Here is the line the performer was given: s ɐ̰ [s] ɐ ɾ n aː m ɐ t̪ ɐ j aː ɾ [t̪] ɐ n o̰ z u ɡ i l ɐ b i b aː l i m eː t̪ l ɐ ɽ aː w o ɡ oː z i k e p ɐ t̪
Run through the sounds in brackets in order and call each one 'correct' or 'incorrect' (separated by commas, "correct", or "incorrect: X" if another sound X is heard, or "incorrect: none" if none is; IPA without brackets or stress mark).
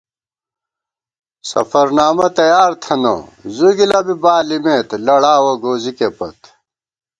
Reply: incorrect: f, incorrect: t̪ʰ